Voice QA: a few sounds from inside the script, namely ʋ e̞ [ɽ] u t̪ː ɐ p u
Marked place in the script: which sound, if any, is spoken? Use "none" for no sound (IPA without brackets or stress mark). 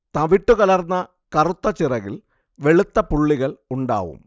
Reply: ɭ